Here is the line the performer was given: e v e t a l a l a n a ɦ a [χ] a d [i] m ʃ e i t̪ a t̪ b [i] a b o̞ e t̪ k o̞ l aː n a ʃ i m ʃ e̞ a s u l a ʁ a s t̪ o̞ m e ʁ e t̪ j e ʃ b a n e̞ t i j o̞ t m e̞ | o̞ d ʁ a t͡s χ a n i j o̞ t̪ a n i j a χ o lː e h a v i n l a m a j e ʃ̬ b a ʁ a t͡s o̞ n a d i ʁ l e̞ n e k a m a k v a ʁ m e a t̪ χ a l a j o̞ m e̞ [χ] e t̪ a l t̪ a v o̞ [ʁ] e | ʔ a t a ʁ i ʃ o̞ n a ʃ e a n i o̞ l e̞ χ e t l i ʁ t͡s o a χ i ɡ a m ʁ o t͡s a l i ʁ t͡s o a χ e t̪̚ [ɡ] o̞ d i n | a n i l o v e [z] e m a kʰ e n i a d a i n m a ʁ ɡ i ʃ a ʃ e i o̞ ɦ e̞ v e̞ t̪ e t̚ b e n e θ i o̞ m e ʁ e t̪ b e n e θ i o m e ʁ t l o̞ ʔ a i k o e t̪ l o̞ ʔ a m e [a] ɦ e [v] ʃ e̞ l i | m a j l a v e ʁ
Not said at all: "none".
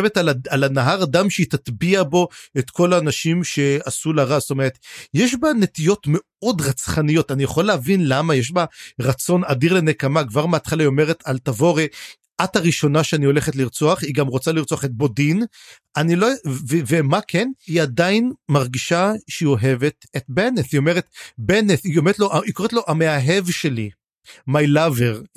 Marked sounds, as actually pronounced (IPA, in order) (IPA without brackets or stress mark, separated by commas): ʁ, a, i, ʁ, ʁ, b, v, a, v